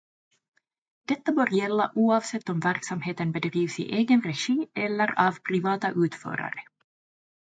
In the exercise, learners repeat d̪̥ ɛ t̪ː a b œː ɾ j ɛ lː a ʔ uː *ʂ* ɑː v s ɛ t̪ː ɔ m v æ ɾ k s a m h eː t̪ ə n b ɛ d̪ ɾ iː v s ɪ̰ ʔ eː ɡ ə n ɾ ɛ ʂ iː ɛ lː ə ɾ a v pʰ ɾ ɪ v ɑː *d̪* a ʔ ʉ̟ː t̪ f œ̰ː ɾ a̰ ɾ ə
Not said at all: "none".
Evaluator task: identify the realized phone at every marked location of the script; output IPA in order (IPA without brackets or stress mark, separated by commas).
none, t̪